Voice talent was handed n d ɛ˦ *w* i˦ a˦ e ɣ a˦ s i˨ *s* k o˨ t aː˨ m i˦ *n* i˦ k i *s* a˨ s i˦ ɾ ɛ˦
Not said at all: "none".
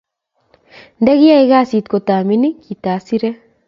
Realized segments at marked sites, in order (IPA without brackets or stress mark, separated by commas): ɣ, t, n, t